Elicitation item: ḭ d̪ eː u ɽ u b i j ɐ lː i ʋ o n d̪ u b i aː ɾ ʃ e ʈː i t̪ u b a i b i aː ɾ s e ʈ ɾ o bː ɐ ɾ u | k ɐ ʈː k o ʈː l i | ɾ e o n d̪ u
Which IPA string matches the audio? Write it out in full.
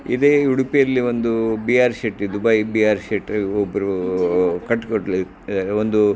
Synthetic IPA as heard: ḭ d̪ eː u ɽ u p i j ɐ lː i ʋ o n d̪ u b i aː ɾ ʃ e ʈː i d̪ u b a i b i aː ɾ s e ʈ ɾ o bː ɐ ɾ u | k ɐ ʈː k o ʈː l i | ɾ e o n d̪ u